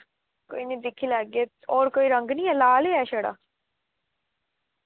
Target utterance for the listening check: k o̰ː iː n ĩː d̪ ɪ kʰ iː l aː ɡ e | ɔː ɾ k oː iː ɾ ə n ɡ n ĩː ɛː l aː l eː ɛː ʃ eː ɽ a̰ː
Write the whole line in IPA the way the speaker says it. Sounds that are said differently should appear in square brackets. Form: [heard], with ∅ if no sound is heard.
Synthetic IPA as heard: k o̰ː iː n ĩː d̪ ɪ kʰ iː l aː ɡ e | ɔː ɾ k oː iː ɾ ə [ŋ] ɡ n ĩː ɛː l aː l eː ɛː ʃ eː ɽ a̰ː